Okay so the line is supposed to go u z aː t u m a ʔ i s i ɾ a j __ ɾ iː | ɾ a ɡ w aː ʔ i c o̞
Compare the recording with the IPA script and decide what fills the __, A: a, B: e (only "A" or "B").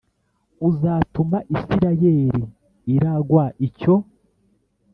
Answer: B